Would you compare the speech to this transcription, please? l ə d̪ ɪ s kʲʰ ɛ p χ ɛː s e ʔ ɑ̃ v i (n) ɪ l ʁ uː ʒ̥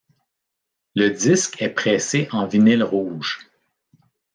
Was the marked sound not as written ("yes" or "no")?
no